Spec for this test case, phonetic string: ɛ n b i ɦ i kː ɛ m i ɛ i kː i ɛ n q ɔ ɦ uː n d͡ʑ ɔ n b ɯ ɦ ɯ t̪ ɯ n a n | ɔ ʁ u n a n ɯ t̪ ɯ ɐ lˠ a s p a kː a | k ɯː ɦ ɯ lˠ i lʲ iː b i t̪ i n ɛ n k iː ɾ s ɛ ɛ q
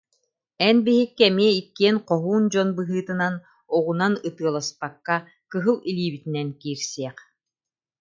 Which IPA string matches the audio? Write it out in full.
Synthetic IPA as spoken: ɛ n b i ɦ i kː ɛ m i ɛ i kː i ɛ n q ɔ ɦ uː n d͡ʑ ɔ n b ɯ ɦ ɯː t̪ ɯ n a n | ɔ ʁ u n a n ɯ t̪ ɯ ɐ lˠ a s p a kː a | k ɯ ɦ ɯ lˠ i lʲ iː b i t̪ i n ɛ n k iː ɾ s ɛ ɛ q